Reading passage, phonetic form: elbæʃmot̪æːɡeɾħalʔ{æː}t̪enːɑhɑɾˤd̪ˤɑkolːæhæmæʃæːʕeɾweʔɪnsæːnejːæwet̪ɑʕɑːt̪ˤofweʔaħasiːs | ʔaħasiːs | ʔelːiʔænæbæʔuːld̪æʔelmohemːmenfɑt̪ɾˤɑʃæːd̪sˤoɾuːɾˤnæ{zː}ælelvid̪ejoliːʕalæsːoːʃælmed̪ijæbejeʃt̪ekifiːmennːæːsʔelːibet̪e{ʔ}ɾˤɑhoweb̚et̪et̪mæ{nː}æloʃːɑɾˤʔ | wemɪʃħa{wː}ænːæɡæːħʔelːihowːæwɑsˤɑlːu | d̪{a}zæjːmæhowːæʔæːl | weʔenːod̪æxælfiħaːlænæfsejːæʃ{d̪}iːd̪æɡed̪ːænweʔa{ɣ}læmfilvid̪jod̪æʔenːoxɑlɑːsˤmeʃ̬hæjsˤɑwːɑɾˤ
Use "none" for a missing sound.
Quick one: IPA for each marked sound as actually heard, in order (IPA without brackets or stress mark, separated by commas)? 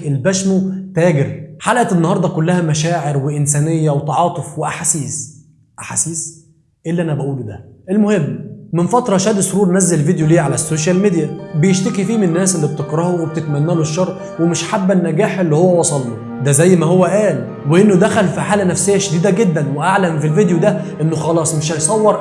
æ, zː, k, nː, bː, æ, d̪, ʕ